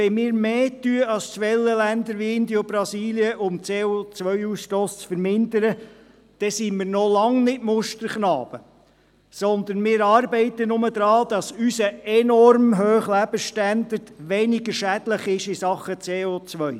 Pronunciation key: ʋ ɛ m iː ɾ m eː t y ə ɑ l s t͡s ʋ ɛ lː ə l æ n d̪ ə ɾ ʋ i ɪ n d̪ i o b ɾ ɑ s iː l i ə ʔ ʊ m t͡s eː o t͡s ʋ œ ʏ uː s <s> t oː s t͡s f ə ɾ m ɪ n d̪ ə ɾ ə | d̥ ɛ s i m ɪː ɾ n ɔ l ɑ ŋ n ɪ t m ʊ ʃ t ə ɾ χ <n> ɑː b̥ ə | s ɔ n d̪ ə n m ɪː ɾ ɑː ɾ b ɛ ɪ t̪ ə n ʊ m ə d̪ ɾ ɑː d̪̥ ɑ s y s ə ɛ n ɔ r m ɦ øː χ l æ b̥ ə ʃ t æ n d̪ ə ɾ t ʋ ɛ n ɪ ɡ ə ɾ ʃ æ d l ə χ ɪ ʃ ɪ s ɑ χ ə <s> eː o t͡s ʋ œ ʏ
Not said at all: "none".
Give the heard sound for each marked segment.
ʃ, n, t͡s

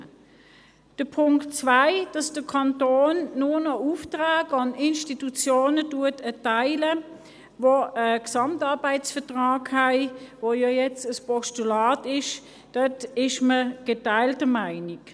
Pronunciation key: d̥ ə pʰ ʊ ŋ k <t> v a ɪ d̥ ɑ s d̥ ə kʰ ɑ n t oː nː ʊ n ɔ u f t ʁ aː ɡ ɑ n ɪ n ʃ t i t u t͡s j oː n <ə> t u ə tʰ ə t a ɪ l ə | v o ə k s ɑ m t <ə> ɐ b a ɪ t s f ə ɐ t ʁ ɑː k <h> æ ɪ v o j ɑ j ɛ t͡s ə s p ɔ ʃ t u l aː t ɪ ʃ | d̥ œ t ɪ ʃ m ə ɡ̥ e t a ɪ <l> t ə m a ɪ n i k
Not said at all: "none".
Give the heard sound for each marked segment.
t͡s, ə, ɑ, h, l

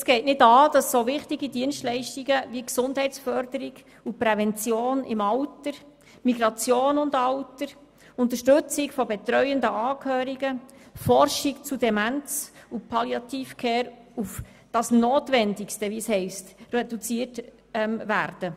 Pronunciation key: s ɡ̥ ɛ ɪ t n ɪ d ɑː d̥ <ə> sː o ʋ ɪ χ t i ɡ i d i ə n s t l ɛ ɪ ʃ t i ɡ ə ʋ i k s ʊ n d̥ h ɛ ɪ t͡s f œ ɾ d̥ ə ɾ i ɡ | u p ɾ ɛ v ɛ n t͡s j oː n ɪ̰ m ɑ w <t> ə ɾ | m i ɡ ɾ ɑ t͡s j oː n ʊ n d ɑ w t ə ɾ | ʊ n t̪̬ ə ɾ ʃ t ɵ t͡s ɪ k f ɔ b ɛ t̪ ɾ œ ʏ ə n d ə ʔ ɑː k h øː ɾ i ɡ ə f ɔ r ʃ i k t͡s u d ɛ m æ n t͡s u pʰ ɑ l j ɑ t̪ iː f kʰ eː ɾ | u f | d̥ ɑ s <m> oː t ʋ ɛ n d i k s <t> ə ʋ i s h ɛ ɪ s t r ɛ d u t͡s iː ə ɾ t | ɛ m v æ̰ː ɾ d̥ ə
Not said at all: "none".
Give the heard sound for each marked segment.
ɑ, t, n, t

